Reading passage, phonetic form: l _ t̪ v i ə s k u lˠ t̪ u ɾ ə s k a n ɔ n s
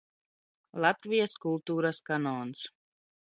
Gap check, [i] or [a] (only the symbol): a